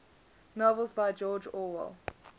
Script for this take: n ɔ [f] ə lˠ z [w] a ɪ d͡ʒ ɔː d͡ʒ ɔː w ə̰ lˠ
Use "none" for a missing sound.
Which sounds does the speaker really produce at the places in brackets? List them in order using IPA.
v, b

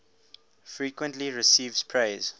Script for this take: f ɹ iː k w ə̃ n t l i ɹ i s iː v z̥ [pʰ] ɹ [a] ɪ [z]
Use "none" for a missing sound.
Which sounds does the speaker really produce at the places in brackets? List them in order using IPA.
pʰ, e, z

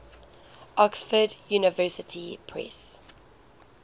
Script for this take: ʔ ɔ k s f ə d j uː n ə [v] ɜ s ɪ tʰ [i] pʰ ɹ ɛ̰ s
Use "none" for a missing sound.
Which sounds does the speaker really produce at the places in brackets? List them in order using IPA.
v, i

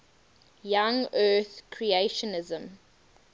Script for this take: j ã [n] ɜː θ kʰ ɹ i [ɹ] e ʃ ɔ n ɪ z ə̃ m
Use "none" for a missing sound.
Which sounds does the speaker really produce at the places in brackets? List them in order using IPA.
ŋ, none

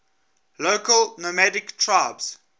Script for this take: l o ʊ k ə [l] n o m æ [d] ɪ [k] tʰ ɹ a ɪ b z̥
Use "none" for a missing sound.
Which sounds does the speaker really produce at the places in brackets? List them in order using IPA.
l, d, k

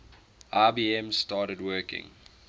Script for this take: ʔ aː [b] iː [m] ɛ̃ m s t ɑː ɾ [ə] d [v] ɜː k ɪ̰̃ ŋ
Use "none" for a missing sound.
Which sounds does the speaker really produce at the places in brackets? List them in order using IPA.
b, none, ə, w

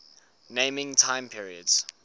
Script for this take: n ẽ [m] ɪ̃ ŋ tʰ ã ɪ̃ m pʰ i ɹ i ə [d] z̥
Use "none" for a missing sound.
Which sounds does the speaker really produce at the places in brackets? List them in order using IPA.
m, d

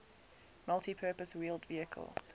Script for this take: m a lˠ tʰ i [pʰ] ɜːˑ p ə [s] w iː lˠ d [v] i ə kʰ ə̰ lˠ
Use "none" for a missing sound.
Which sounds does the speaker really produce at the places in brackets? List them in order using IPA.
pʰ, s, v

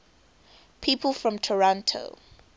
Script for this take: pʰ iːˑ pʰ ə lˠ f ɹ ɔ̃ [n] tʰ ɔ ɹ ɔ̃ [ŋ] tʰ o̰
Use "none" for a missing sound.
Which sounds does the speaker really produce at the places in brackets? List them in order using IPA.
m, n

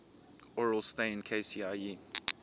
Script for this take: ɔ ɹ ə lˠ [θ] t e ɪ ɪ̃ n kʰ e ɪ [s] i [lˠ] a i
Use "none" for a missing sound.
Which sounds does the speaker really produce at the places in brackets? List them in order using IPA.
s, s, none

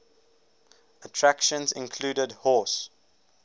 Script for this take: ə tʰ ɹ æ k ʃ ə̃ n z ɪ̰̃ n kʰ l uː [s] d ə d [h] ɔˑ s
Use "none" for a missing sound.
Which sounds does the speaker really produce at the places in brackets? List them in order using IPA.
none, h

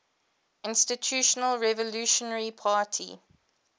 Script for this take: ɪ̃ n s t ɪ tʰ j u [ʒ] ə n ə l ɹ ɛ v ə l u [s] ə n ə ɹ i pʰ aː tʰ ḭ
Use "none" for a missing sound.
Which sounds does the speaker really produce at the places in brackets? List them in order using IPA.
ʃ, ʃ

